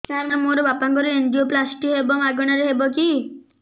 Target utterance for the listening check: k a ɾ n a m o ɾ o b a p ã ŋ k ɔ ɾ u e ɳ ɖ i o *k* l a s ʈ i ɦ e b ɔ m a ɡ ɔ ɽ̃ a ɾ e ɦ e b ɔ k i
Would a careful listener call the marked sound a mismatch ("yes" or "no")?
yes